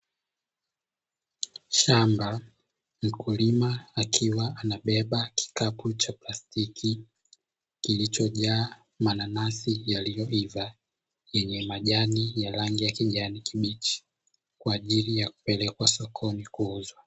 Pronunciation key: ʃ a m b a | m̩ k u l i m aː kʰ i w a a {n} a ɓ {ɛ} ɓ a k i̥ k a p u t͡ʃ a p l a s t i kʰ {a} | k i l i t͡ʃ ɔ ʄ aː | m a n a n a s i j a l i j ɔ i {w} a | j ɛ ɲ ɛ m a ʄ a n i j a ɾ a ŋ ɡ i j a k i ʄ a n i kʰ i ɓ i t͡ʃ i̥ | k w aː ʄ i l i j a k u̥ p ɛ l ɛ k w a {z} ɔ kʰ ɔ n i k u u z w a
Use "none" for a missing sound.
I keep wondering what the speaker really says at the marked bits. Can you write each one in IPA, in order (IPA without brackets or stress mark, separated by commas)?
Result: n, ɛ, i, v, s